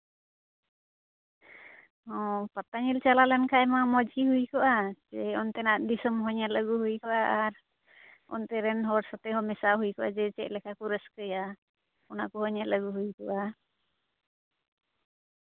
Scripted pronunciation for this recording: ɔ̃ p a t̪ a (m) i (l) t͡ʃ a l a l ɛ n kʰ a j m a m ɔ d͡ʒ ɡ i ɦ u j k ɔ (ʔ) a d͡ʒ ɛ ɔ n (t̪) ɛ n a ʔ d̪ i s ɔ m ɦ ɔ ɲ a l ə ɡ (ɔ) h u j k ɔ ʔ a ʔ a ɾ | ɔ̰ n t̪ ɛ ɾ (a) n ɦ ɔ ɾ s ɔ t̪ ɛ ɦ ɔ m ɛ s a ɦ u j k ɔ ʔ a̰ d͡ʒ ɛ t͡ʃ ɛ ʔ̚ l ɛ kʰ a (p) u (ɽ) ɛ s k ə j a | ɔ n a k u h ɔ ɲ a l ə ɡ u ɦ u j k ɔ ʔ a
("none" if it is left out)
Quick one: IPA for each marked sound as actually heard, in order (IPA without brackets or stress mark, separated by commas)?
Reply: ɲ, l, ʔ, t̪, u, ɛ, k, ɾ